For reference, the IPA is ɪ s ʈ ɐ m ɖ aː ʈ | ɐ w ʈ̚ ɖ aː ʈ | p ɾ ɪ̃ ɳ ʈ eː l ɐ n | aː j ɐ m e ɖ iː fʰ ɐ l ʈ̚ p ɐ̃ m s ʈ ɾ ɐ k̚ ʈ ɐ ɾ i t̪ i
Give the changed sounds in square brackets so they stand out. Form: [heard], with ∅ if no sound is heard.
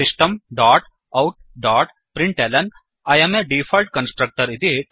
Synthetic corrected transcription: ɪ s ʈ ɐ m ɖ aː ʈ | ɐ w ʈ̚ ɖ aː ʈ | p ɾ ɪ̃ ɳ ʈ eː l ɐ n | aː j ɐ m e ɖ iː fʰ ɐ l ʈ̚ [k] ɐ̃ [n] s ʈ ɾ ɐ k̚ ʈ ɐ ɾ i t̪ i